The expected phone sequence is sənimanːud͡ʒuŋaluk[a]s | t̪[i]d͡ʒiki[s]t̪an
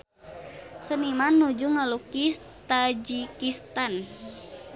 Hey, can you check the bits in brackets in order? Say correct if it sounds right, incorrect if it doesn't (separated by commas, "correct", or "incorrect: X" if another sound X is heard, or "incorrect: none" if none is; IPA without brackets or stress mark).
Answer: incorrect: i, incorrect: a, correct